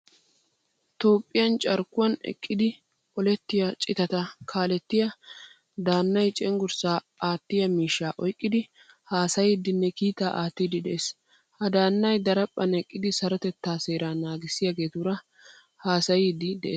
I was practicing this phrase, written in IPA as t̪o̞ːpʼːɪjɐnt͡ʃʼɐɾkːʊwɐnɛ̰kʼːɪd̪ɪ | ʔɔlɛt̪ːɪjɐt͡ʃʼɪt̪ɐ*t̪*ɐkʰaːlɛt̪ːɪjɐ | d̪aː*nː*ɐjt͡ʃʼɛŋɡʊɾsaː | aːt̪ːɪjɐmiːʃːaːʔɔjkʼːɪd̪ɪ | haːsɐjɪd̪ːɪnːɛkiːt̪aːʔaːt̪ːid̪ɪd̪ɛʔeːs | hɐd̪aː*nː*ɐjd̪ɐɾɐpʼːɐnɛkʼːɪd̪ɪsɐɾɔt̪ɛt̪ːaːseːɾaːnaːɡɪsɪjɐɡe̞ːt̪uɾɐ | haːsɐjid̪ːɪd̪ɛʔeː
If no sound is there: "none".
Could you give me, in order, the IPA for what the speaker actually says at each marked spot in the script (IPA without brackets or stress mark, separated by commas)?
t̪, nː, nː